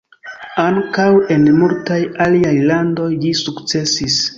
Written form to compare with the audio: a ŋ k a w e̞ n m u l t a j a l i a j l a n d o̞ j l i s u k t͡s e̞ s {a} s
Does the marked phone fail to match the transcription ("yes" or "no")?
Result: yes